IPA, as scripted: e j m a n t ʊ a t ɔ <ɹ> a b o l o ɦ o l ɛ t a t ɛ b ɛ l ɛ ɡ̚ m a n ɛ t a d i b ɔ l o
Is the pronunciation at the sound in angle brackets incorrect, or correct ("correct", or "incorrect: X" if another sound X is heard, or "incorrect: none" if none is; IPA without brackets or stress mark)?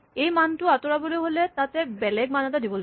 correct